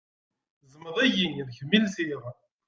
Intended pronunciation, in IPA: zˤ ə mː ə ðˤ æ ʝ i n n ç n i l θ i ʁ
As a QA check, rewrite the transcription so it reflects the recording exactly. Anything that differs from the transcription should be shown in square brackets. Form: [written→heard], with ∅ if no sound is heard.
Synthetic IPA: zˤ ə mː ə ðˤ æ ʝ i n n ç [n→m] i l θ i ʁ